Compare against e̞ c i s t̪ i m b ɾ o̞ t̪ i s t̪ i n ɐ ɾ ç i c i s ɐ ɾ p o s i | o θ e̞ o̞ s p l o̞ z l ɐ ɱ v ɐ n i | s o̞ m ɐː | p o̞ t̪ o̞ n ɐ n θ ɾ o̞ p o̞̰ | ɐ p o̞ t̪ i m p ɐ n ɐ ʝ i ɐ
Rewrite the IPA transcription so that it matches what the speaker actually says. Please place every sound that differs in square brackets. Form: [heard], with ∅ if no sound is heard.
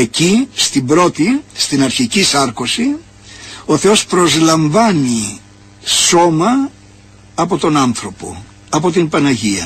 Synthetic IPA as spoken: e̞ c i s t̪ i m b ɾ o̞ t̪ i s t̪ i n ɐ ɾ ç i c i s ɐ ɾ [k] o s i | o θ e̞ o̞ s p [ɾ] o̞ z l ɐ ɱ v ɐ n i | s o̞ m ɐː | p o̞ t̪ o̞ n ɐ n θ ɾ o̞ p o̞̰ | ɐ p o̞ t̪ i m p ɐ n ɐ ʝ i ɐ